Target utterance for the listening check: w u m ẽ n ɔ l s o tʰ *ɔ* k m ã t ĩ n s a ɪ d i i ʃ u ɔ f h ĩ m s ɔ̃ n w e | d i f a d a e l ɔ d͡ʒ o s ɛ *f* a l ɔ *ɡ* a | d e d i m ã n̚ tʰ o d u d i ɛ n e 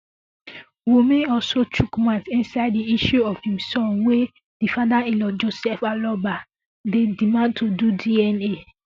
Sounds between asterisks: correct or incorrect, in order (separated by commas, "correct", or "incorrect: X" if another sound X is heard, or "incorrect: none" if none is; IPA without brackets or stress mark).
incorrect: u, correct, incorrect: b